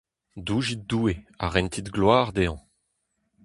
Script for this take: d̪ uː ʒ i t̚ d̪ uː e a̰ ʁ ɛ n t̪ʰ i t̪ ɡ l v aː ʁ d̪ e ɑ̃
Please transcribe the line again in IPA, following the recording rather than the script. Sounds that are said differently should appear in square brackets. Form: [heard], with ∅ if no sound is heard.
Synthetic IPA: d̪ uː ʒ i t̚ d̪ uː e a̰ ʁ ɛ n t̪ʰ i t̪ ɡ l [w] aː ʁ d̪ e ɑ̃